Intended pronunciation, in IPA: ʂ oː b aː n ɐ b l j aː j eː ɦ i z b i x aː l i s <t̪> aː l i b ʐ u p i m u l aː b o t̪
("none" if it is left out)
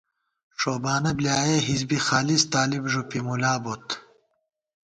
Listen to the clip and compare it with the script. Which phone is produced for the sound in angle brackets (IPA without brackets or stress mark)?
t̪